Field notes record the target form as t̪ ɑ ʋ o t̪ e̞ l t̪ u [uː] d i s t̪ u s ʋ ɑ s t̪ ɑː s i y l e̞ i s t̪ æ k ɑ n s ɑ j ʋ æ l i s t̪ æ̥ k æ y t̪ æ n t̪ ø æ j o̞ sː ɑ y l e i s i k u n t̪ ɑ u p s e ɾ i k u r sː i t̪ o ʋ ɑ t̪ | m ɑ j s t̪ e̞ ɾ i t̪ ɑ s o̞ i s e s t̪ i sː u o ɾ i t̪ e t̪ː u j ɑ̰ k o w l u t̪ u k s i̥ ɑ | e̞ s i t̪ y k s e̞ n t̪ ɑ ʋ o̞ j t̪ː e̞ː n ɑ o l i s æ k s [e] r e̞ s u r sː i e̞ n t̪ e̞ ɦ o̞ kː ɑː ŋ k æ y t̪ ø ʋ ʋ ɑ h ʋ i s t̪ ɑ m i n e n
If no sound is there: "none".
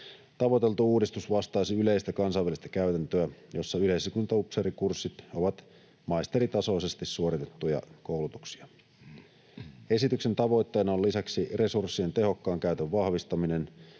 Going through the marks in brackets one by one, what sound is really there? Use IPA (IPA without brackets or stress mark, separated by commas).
uː, i